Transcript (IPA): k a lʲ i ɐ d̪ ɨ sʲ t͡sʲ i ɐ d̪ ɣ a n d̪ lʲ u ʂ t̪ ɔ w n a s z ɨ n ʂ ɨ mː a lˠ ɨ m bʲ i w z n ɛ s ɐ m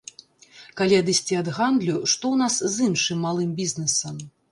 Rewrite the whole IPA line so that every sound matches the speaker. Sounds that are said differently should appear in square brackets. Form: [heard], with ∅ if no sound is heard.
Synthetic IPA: k a lʲ i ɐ d̪ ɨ sʲ t͡sʲ i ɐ d̪ ɣ a n d̪ lʲ u ʂ t̪ ɔ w n a s z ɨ n ʂ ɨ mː a lˠ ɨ m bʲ i [∅] z n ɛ s ɐ m